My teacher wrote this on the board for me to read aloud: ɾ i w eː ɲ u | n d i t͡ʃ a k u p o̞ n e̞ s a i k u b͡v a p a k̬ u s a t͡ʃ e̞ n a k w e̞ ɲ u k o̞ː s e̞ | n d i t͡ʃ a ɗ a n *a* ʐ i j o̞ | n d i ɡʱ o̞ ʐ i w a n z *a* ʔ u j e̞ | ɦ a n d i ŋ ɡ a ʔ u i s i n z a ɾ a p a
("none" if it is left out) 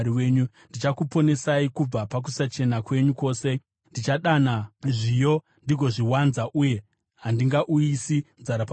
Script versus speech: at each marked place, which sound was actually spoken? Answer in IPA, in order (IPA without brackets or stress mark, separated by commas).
a, a